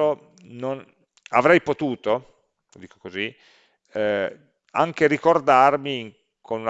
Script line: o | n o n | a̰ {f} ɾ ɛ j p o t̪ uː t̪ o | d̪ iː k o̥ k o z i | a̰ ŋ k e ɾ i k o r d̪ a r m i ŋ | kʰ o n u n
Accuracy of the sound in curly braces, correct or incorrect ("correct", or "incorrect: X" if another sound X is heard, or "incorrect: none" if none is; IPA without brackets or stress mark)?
incorrect: v